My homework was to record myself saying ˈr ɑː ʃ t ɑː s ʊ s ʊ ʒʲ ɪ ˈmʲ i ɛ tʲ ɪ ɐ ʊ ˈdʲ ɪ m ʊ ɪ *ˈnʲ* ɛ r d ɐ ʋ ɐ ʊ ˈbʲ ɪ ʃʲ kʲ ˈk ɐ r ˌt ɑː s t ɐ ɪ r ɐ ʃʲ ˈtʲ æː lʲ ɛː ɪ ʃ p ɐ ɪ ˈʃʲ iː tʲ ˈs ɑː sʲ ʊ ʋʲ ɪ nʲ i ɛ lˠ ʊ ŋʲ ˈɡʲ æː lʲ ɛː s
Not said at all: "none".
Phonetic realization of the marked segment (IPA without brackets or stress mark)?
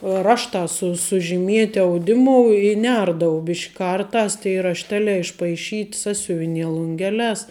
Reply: nʲ